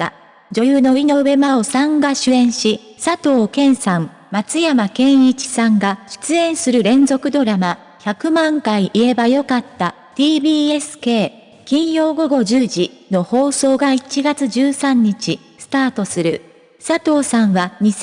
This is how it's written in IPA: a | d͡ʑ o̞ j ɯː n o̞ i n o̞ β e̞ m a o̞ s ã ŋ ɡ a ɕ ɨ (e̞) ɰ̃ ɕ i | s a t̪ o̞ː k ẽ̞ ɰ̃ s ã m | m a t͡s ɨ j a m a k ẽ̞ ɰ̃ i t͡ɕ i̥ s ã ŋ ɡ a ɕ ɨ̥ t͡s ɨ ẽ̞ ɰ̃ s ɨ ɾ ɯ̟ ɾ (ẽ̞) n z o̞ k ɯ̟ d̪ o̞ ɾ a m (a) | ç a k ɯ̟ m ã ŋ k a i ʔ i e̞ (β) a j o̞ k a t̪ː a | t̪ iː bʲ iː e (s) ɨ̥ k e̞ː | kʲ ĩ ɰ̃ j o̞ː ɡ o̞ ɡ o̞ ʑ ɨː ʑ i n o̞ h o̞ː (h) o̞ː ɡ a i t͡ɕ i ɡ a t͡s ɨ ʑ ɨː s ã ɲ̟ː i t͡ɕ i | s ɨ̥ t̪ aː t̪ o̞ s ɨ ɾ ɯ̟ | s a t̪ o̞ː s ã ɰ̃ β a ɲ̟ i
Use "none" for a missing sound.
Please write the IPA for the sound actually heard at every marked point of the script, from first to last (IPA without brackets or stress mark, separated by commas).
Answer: ẽ̞, ẽ̞, a, b, s, s